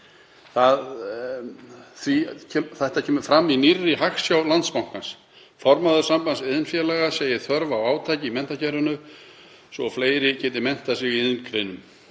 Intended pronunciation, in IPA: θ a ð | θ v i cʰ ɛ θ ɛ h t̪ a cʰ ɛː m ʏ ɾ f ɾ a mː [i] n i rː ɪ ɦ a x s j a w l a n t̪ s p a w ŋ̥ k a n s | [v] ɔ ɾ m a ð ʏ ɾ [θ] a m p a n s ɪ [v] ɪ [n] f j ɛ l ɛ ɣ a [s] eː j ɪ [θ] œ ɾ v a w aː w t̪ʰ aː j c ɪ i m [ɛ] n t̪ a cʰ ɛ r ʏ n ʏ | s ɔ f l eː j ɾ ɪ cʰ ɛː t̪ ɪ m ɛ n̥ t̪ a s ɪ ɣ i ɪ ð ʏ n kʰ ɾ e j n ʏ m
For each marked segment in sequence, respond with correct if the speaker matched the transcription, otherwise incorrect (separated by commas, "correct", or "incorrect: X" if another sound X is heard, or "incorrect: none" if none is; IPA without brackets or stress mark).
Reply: correct, incorrect: f, incorrect: s, incorrect: ð, correct, correct, correct, correct